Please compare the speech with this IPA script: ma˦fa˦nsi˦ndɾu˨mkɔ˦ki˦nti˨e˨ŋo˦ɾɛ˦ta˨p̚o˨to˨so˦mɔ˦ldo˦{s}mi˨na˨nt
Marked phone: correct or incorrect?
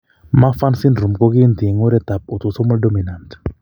incorrect